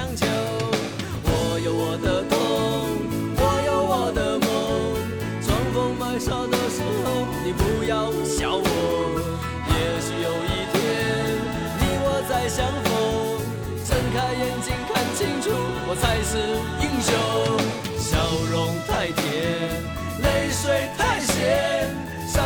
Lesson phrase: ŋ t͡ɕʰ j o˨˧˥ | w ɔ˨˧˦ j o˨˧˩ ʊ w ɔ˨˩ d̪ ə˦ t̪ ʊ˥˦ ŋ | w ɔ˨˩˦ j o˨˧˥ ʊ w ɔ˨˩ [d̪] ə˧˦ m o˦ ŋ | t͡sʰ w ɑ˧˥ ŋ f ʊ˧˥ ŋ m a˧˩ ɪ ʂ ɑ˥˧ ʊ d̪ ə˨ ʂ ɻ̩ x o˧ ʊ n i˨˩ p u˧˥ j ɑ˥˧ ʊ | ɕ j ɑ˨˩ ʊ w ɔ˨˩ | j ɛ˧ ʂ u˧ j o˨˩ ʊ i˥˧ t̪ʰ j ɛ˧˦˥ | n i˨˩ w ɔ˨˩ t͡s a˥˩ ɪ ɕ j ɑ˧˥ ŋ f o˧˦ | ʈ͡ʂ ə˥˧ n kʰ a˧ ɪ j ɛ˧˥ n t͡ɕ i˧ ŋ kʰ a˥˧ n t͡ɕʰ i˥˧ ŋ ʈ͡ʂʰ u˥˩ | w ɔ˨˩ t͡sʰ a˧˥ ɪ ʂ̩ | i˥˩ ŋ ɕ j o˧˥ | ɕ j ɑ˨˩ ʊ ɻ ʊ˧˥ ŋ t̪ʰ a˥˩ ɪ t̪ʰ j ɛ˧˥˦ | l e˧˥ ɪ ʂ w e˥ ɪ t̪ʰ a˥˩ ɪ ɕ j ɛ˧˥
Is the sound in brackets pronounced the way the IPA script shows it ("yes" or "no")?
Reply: yes